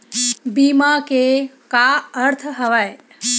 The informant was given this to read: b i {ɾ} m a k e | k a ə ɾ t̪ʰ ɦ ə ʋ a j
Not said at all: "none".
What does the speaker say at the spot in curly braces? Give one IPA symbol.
none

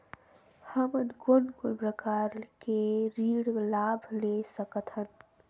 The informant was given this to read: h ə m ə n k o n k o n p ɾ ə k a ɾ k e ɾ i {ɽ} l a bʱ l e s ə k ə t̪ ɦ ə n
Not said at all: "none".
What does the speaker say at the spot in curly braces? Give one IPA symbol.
ɽ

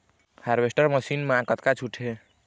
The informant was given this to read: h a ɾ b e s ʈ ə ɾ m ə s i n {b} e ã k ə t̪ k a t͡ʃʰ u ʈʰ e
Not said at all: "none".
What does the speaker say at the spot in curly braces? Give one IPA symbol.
m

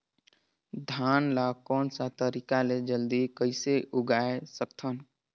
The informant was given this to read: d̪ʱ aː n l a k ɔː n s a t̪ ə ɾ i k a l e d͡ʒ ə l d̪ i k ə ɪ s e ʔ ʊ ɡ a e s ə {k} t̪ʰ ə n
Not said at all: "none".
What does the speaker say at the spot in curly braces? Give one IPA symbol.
k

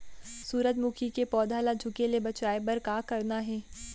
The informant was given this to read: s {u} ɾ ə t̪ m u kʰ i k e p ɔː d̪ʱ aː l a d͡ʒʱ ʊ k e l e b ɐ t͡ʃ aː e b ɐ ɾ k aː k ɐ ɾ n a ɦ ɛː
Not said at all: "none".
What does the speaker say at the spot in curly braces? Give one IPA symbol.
uː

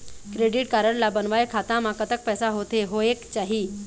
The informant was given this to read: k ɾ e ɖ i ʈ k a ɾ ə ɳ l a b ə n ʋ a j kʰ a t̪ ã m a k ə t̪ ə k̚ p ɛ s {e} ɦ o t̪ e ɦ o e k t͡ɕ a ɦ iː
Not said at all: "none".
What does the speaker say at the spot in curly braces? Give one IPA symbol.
a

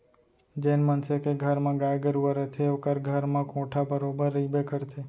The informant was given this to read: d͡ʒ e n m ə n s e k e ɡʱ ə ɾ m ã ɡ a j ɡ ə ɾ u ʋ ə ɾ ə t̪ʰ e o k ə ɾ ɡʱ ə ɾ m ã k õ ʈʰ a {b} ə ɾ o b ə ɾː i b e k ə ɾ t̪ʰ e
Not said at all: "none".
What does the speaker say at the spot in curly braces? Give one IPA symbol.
b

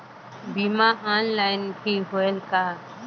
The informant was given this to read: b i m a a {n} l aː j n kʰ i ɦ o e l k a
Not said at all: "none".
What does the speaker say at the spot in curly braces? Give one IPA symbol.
n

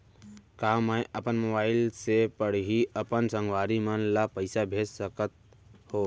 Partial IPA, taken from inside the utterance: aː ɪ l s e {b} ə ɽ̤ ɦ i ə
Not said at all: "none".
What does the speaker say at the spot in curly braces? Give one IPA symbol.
p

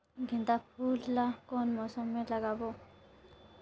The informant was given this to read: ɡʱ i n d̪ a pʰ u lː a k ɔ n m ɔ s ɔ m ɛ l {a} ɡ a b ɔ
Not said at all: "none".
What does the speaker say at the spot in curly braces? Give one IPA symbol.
a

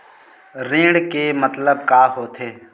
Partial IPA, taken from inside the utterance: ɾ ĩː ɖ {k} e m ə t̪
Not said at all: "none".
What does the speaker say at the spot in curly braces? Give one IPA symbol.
k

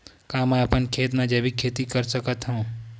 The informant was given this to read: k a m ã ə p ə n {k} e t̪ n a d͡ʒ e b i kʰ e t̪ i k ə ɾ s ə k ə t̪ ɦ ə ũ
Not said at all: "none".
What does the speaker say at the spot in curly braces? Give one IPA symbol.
kʰ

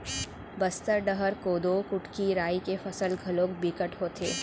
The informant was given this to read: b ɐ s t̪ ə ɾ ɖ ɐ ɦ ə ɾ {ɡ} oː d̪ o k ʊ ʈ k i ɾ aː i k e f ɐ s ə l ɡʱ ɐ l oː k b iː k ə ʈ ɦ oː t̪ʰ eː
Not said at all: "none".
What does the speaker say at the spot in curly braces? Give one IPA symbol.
k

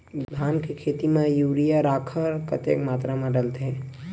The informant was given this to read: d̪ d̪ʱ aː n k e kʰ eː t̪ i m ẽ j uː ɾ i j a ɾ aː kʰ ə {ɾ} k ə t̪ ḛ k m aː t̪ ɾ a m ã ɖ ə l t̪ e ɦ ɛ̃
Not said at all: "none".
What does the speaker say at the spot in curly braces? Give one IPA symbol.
ɾ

